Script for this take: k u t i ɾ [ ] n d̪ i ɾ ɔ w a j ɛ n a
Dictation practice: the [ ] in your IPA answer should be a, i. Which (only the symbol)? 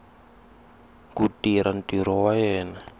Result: a